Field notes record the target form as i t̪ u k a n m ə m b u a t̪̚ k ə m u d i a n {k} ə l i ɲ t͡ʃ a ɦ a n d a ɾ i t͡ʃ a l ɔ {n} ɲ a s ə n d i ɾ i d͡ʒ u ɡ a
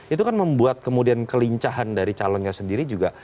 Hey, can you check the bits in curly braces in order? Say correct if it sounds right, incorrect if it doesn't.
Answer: correct, correct

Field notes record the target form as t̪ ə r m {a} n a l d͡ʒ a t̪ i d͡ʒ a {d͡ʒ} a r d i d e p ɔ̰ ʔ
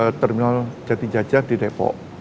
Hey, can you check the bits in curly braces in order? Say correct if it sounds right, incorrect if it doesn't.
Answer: incorrect: i, correct

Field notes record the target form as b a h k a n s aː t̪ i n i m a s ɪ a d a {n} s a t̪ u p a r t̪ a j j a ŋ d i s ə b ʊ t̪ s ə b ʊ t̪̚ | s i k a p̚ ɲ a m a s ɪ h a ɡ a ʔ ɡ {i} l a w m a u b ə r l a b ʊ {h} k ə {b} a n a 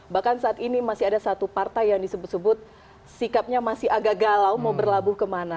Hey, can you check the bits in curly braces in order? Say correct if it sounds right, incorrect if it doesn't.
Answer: incorrect: none, incorrect: a, correct, incorrect: m

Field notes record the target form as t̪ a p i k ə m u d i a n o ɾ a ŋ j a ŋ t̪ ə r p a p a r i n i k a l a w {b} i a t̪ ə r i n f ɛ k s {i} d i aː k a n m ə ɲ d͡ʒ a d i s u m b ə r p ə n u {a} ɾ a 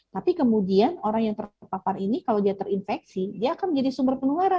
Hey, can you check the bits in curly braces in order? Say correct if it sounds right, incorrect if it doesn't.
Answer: incorrect: d, correct, correct

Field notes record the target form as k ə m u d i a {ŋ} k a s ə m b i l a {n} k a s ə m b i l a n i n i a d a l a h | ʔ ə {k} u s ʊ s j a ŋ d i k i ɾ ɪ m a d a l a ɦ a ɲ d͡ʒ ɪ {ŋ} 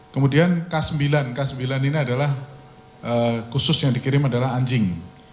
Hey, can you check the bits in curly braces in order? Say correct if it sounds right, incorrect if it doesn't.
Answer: incorrect: n, correct, correct, correct

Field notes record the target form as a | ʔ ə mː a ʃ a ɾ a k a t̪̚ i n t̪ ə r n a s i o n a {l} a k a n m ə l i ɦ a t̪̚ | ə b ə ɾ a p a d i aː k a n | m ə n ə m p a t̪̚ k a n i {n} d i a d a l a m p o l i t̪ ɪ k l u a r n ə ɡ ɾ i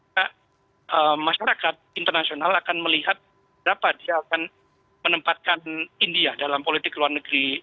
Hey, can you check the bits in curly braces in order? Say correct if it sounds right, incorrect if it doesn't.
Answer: correct, correct

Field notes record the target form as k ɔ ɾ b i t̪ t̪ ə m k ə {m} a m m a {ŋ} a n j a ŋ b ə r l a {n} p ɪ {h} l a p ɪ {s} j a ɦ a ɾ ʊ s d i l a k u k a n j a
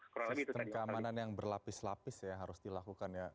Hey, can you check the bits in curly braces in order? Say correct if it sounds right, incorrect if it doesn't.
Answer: incorrect: none, incorrect: n, incorrect: none, incorrect: s, correct

